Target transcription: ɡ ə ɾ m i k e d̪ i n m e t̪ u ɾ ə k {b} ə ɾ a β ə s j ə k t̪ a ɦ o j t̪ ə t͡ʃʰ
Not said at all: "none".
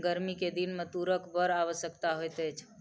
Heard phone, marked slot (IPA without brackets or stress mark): b